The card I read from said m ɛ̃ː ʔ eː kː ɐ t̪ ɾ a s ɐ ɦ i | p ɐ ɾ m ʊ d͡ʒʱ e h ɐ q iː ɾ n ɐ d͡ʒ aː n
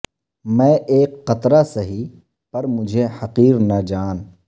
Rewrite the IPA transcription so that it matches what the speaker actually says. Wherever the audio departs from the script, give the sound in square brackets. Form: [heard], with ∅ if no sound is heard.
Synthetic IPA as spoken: m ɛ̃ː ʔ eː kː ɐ t̪ ɾ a s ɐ ɦ i | p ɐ ɾ m ʊ d͡ʒʱ e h ɐ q iː ɾ n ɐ d͡ʒ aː n